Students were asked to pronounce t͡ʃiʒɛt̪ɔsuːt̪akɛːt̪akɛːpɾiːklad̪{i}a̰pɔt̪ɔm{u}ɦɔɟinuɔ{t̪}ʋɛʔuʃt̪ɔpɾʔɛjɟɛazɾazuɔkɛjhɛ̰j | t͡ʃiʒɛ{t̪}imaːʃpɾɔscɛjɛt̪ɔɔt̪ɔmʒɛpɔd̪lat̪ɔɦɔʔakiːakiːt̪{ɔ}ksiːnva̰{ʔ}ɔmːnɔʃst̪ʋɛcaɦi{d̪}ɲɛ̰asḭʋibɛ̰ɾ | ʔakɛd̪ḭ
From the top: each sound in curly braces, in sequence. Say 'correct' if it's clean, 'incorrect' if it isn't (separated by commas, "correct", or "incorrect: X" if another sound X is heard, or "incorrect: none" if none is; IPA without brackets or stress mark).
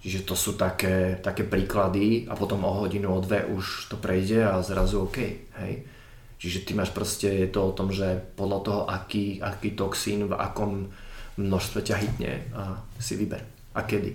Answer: correct, incorrect: ɔ, incorrect: d̪, correct, correct, incorrect: k, incorrect: t̪